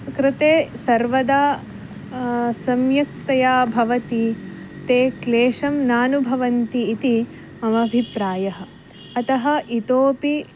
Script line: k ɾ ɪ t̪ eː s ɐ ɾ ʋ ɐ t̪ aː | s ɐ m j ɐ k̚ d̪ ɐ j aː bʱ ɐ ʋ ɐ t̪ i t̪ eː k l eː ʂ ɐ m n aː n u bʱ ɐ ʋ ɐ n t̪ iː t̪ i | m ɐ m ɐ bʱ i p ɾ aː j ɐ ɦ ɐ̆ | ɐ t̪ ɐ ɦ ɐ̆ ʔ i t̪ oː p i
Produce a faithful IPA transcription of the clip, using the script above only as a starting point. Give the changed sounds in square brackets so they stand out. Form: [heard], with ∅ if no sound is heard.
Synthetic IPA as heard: k ɾ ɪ t̪ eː s ɐ ɾ ʋ ɐ [d̪] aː | s ɐ m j ɐ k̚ [t̪] ɐ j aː bʱ ɐ ʋ ɐ t̪ i t̪ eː k l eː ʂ ɐ m n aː n u bʱ ɐ ʋ ɐ n t̪ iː t̪ i | m ɐ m ɐ bʱ i p ɾ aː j ɐ ɦ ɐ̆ | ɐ t̪ ɐ ɦ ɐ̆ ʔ i t̪ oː p i